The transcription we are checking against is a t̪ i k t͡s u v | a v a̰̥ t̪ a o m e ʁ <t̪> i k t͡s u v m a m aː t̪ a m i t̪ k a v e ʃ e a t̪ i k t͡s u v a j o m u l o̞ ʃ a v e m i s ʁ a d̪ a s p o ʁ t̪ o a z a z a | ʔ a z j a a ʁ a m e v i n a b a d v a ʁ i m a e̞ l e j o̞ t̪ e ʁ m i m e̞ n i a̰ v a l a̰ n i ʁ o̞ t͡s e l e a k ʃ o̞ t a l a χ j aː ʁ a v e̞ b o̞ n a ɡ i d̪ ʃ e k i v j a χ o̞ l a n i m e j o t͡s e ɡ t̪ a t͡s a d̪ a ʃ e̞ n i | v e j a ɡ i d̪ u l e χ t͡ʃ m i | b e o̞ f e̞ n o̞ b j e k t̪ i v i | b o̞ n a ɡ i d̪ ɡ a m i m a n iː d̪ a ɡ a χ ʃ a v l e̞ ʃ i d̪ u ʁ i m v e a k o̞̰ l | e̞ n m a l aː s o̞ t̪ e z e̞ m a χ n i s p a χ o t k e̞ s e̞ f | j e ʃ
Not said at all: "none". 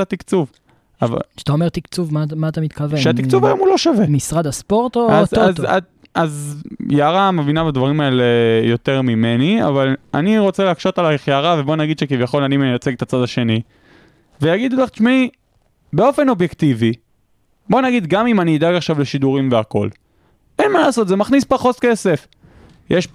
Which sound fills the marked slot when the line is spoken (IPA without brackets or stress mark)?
t̪